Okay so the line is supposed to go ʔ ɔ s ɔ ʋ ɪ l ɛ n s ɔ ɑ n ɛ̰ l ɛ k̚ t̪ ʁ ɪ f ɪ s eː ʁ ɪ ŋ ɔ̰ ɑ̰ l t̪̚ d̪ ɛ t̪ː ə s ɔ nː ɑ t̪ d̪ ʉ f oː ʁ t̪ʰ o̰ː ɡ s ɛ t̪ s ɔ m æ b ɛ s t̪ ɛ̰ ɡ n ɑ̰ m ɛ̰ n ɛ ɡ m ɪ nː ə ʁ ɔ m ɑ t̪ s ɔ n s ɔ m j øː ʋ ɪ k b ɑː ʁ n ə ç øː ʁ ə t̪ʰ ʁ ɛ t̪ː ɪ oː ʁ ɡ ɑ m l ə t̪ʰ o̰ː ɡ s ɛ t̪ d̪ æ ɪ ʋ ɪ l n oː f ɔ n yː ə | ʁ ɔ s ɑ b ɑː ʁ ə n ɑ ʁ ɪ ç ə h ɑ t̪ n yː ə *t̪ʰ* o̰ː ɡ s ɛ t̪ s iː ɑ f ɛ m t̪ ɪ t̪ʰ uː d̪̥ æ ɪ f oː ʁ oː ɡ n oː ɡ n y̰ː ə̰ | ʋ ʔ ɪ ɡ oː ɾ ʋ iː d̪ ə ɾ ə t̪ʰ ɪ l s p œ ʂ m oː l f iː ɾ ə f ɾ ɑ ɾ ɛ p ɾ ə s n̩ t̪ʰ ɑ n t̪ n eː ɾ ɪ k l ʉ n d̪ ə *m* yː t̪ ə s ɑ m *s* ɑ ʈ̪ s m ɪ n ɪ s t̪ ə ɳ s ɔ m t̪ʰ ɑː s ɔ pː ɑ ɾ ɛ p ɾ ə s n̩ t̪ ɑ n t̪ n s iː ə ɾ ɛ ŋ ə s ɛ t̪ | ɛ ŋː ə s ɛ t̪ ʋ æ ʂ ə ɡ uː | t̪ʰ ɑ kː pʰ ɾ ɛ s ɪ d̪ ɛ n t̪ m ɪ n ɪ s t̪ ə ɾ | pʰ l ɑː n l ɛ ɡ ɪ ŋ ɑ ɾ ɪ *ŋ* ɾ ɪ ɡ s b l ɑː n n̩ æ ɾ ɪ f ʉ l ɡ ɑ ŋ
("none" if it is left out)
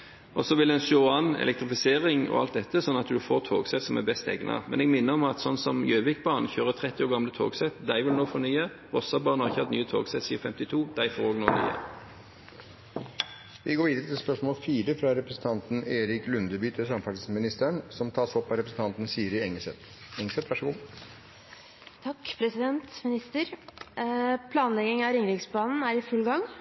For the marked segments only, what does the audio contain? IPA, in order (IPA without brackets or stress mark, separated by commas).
t̪ʰ, b, f, ŋ